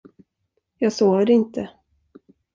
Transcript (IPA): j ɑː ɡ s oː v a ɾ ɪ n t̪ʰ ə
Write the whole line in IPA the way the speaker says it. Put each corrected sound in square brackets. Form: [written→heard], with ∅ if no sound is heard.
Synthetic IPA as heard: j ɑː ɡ s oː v [a→ə] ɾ ɪ n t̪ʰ ə